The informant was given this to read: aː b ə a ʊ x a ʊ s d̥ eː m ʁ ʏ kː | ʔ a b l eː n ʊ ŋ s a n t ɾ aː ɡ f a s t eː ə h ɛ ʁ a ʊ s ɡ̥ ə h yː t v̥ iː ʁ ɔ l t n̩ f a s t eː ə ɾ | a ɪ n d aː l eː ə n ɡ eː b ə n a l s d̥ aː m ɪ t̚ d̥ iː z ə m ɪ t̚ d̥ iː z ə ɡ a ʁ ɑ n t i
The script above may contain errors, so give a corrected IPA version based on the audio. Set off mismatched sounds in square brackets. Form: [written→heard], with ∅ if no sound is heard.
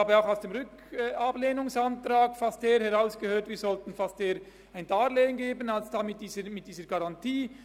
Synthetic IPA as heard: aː b ə a ʊ x a ʊ s d̥ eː m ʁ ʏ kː | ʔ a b l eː n ʊ ŋ s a n t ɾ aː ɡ f a s t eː ə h ɛ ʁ a ʊ s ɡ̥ ə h [yː→øː] t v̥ iː [ʁ→z] ɔ l t n̩ f a s t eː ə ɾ | a ɪ n d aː l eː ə n ɡ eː b ə n a l s d̥ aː m ɪ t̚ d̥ iː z ə m ɪ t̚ d̥ iː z ə ɡ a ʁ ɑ n t [i→iː]